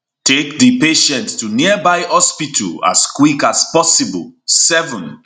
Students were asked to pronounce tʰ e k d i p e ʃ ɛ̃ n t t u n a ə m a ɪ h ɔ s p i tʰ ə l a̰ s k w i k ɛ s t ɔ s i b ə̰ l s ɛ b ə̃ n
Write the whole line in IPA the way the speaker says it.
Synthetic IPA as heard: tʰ e k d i p e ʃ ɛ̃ n t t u n i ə b a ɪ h ɔ s p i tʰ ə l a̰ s k w i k a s p ɔ s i b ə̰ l s ɛ v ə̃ n